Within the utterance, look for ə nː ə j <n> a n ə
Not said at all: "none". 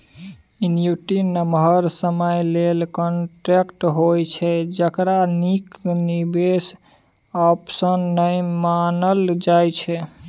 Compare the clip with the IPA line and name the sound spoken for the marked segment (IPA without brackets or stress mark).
m